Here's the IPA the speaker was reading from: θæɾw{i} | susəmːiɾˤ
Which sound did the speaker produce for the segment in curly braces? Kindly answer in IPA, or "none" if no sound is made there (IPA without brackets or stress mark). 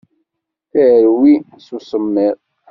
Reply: i